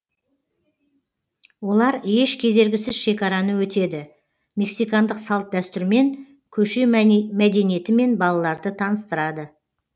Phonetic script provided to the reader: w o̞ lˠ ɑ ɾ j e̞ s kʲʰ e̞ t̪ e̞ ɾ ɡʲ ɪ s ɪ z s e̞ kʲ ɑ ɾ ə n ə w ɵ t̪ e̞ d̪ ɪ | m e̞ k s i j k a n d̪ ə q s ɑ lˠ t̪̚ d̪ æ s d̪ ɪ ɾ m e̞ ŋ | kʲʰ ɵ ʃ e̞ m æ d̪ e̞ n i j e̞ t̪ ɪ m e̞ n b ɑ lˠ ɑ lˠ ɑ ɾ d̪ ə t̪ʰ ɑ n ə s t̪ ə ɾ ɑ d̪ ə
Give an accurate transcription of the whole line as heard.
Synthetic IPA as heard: w o̞ lˠ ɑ ɾ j e̞ ʃ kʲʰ e̞ d̪ e̞ ɾ ɡʲ ɪ s ɪ z ʃ e̞ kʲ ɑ ɾ ɑ n ə w ɵ t̪ e̞ d̪ ɪ | m e̞ k s i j k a n d̪ ə q s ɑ lˠ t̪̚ d̪ æ s t̪ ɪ ɾ m e̞ ŋ | kʲʰ ɵ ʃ e̞ m æ d̪ e̞ n i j e̞ t̪ ɪ m e̞ n b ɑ lˠ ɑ lˠ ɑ ɾ d̪ ə t̪ʰ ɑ n ə s t̪ ə ɾ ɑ d̪ ə